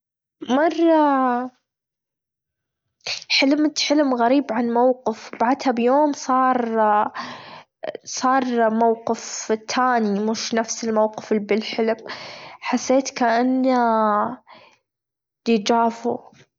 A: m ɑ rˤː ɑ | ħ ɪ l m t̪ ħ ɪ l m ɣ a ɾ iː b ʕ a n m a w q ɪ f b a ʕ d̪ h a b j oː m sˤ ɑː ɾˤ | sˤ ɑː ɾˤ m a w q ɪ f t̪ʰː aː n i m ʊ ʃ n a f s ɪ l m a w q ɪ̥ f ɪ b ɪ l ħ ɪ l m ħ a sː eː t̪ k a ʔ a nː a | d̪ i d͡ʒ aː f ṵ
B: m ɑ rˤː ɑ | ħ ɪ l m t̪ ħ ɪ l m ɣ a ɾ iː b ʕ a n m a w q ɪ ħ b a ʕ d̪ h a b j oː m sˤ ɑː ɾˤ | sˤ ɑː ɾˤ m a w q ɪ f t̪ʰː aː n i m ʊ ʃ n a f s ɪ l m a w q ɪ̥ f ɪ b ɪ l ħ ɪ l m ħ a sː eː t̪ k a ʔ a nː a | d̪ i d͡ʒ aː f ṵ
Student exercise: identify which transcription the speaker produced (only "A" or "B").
A